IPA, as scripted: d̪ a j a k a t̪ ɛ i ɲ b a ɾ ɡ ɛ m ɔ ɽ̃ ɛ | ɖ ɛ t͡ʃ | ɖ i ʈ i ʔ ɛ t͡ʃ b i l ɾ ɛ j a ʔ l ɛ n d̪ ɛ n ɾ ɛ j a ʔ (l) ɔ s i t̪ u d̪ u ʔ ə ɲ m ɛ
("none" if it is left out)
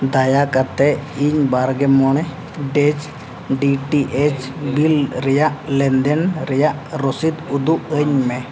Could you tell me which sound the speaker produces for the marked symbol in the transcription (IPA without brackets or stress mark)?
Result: ɾ